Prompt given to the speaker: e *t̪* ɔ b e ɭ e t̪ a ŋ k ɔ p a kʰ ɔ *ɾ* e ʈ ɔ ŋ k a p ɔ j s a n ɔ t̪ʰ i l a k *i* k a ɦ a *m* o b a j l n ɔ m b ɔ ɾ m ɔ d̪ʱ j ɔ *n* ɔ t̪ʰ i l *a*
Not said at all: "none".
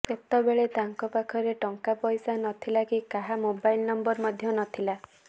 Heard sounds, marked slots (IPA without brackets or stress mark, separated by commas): t̪, ɾ, i, m, n, a